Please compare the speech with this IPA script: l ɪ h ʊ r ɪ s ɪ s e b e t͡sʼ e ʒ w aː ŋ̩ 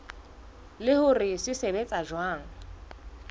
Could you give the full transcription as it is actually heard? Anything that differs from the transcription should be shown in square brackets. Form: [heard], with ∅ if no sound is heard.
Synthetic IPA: l ɪ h ʊ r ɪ s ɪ s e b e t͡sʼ [a] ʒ w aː ŋ̩